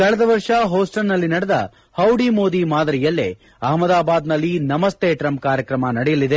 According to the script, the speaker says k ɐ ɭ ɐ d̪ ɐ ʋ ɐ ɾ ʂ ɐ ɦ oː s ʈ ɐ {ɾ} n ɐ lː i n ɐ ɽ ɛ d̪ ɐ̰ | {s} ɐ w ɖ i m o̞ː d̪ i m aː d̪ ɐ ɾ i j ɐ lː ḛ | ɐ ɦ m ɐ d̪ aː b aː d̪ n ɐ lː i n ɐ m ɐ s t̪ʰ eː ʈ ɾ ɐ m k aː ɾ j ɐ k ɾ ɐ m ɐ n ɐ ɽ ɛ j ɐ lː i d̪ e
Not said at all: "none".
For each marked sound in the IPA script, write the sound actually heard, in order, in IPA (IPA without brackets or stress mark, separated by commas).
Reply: l, h